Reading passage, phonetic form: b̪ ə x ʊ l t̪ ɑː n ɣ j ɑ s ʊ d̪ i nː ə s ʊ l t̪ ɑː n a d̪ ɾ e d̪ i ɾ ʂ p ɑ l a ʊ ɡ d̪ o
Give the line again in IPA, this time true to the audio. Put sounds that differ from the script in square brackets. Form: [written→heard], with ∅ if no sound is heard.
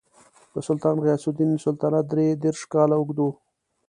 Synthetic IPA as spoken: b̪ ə [x→s] ʊ l t̪ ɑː n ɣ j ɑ s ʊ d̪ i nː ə s ʊ l t̪ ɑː n a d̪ ɾ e d̪ [i→e] ɾ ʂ [p→k] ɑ l a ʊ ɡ d̪ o